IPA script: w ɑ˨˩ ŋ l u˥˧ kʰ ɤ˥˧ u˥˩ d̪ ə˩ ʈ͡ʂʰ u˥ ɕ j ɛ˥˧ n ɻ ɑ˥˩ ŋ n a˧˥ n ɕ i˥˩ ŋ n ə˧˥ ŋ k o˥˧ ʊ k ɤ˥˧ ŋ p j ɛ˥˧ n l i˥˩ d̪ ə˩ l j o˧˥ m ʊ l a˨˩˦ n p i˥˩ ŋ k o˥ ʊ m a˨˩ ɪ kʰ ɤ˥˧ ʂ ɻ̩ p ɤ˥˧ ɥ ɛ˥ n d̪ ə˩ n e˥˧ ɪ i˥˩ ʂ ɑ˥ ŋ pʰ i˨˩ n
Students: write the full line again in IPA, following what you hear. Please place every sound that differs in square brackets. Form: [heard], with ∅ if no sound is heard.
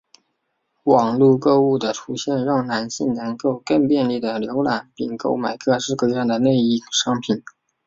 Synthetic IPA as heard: w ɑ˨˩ ŋ l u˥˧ [k] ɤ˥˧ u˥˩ d̪ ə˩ ʈ͡ʂʰ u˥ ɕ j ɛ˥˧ n ɻ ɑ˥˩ ŋ n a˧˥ n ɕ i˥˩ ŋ n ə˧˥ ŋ k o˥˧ ʊ k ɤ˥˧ ŋ p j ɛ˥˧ n l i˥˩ d̪ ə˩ l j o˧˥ [∅] ʊ l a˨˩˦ n p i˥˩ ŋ k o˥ ʊ m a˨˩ ɪ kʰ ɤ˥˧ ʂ ɻ̩ [k] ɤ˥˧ ɥ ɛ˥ n d̪ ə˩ n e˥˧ ɪ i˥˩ ʂ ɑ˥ ŋ pʰ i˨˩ n

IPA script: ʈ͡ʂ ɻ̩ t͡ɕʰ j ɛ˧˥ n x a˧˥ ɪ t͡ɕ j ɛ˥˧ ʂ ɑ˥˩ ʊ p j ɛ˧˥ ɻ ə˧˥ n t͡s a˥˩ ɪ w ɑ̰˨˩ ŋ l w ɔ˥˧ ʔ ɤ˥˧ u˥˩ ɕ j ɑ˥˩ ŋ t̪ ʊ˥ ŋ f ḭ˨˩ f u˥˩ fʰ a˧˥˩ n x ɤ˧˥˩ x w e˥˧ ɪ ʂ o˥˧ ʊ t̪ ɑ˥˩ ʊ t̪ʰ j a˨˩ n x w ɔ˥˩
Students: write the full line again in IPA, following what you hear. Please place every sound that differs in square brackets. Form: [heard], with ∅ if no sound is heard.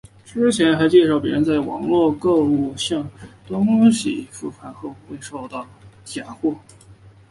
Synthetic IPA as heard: ʈ͡ʂ ɻ̩ t͡ɕʰ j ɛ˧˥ n x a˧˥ ɪ t͡ɕ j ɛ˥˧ ʂ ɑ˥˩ ʊ p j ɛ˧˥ ɻ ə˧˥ n t͡s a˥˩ ɪ w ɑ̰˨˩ ŋ l w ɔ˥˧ [k] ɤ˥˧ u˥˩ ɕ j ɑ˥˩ ŋ t̪ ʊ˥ ŋ [ɕ] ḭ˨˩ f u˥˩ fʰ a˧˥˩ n x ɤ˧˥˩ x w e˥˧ ɪ ʂ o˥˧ ʊ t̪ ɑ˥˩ ʊ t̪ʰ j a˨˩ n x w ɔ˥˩

